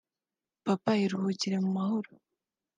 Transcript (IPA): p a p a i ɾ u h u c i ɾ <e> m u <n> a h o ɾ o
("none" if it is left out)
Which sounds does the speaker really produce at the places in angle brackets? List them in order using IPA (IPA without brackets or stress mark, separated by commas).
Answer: e, m